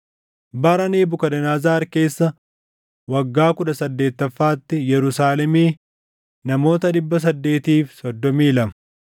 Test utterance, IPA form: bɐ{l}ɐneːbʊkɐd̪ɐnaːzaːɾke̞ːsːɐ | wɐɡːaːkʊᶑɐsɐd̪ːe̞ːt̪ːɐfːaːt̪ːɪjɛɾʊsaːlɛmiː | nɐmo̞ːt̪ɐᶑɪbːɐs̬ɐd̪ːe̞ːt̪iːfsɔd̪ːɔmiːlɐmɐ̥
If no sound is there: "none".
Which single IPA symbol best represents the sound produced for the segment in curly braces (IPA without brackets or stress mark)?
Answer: ɾ